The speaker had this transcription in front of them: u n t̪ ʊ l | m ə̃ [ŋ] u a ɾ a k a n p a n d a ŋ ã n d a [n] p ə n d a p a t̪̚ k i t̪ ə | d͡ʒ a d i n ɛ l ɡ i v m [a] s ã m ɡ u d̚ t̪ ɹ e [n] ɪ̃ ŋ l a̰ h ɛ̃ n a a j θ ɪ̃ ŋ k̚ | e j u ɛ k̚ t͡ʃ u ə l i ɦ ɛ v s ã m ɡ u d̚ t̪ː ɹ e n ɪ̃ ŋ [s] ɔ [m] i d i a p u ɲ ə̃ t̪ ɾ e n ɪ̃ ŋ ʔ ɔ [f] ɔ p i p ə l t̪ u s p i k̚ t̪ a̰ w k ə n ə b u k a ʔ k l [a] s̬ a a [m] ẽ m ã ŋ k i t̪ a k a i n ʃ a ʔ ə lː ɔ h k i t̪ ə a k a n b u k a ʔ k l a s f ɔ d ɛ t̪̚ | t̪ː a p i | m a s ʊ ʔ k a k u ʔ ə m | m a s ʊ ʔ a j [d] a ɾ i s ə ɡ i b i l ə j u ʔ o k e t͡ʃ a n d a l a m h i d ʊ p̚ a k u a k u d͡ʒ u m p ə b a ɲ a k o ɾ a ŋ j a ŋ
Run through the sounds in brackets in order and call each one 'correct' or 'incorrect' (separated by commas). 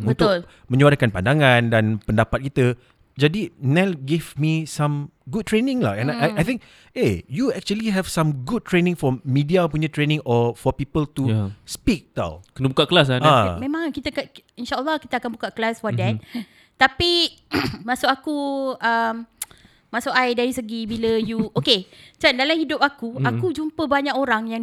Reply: incorrect, correct, incorrect, correct, incorrect, correct, correct, correct, correct, correct